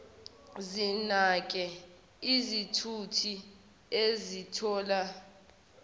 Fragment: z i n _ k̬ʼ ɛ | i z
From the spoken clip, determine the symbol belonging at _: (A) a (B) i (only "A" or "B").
A